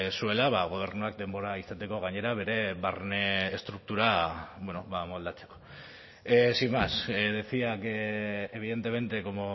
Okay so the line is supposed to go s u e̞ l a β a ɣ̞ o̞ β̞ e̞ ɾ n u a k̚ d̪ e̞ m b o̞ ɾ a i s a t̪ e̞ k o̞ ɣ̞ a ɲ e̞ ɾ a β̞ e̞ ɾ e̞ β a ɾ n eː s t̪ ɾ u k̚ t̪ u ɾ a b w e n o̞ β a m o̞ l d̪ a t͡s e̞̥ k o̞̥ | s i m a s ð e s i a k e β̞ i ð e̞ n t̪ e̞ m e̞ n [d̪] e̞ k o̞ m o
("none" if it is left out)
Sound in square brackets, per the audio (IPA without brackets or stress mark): t̪